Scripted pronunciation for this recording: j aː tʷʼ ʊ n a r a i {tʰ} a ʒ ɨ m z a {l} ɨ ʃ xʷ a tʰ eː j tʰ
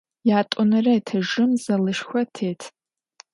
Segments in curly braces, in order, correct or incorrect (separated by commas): correct, correct